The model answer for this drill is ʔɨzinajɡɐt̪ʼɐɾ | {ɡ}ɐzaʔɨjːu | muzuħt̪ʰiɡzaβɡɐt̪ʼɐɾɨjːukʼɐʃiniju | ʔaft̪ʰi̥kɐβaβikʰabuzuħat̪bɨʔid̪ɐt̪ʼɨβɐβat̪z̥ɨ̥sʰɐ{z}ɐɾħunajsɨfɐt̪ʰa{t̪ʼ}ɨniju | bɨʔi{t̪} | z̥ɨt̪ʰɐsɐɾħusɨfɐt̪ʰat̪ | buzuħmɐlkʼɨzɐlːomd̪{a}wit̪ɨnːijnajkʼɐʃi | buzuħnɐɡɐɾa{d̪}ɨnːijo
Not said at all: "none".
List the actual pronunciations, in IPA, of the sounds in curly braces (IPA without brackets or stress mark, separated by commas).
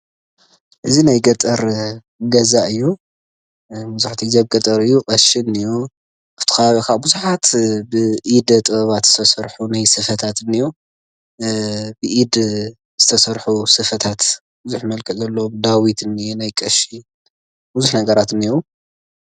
ɡ, s, t̪, d̪, a, t̪